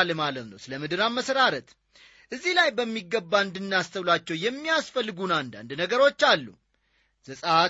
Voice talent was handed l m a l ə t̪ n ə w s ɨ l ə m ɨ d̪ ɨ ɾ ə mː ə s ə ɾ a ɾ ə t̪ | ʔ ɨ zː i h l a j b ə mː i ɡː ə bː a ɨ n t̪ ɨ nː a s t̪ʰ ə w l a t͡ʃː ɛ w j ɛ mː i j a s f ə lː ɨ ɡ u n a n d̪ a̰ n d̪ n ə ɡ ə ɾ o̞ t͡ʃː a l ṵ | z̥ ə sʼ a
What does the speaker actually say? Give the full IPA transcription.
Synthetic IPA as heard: l m a l ə t̪ n ə w s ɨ l ə m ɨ d̪ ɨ ɾ a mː ə s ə ɾ a ɾ ə t̪ | ʔ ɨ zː i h l a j b ə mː i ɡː ə bː a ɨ n d̪ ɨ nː a s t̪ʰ ə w l a t͡ʃː ɛ w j ɛ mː i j a s f ə lː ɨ ɡ u n a n d̪ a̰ n d̪ n ə ɡ ə ɾ o̞ t͡ʃː a lː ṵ | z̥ ə sʼ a